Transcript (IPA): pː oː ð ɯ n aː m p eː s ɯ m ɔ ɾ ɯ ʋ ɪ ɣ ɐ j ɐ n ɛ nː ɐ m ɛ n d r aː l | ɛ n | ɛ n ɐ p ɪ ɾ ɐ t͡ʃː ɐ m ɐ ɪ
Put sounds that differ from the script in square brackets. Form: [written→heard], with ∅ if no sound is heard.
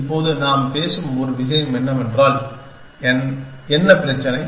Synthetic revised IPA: pː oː ð ɯ n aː m p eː s ɯ m ɔ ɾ ɯ ʋ ɪ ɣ ɐ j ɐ [n→m] ɛ nː ɐ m ɛ n d r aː l | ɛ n | ɛ [n→nː] ɐ p ɪ ɾ ɐ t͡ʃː ɐ [m→n] ɐ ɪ